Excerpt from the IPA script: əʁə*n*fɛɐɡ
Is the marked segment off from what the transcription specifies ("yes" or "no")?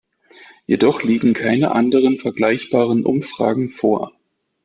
no